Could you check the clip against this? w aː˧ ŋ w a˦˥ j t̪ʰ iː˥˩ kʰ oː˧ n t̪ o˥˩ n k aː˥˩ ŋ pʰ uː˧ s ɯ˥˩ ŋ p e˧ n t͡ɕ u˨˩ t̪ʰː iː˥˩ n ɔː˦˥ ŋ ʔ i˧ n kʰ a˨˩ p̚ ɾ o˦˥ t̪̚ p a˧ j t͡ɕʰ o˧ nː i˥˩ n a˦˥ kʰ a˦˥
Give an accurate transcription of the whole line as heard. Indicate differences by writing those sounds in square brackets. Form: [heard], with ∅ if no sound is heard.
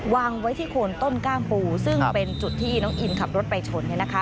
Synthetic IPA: w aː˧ ŋ w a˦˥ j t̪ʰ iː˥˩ kʰ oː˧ n t̪ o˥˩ n k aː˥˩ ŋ [p] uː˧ s ɯ˥˩ ŋ p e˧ n t͡ɕ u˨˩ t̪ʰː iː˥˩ n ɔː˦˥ ŋ ʔ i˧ n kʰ a˨˩ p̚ ɾ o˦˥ t̪̚ p a˧ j t͡ɕʰ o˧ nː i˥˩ n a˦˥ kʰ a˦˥